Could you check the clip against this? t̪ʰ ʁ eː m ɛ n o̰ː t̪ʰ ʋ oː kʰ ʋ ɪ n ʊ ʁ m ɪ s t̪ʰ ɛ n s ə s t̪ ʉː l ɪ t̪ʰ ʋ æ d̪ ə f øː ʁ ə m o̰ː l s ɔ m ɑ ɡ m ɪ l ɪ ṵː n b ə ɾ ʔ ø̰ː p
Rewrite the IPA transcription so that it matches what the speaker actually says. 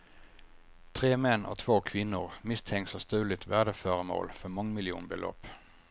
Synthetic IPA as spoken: t̪ʰ ʁ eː m ɛ n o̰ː t̪ʰ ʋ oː kʰ ʋ ɪ n ʊ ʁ m ɪ s t̪ʰ ɛ ŋ s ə s t̪ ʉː l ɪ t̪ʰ ʋ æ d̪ ə f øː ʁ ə m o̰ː l f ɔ m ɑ ŋ m ɪ l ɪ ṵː n b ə l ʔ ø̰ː p